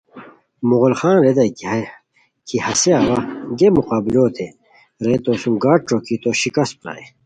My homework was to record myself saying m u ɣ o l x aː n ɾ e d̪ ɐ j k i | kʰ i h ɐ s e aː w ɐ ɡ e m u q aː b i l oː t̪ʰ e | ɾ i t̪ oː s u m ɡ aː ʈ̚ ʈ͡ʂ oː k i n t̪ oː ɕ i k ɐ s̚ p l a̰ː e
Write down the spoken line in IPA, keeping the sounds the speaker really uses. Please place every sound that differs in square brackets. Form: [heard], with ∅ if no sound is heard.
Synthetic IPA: m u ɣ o l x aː n ɾ e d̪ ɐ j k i | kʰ i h ɐ s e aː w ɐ ɡ e m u q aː b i l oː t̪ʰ e | ɾ [e] t̪ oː s u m ɡ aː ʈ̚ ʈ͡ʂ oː k i [∅] t̪ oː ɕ i k ɐ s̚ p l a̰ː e

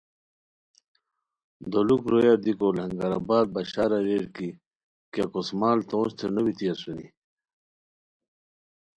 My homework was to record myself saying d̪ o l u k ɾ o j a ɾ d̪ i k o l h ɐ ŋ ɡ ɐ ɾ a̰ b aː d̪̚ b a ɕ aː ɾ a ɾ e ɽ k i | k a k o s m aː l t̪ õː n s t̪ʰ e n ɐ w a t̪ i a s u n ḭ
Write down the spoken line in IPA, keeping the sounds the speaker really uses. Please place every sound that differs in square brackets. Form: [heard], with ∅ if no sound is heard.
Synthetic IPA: d̪ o l u k ɾ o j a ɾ d̪ i k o l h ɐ ŋ ɡ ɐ ɾ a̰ b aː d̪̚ b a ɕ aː ɾ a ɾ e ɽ k i | k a k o s m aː l t̪ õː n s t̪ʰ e n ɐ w [i] t̪ i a s u n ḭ

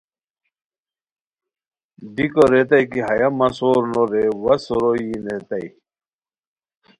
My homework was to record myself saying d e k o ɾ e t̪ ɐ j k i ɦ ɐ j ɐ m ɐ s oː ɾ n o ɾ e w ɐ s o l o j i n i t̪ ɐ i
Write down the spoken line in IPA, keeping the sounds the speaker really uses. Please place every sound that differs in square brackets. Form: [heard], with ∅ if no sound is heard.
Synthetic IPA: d [i] k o ɾ e t̪ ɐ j k i ɦ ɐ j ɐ m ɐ s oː ɾ n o ɾ e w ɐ s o [ɾ] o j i n [e] t̪ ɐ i

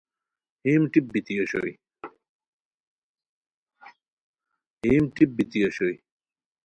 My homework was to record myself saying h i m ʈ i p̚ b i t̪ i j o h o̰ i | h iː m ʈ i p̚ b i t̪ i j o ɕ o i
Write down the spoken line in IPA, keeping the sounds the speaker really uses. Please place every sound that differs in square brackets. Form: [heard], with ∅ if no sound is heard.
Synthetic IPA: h i m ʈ i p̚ b i t̪ i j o [ɕ] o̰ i | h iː m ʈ i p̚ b i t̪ i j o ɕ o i

